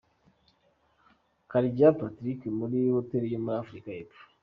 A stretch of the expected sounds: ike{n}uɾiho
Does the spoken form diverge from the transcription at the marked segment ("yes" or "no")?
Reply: yes